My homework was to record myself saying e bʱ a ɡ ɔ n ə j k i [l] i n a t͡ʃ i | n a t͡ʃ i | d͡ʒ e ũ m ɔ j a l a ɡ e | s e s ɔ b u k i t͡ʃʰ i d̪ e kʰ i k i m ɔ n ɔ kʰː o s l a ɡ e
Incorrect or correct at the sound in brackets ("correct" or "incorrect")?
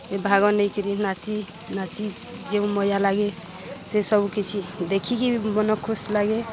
incorrect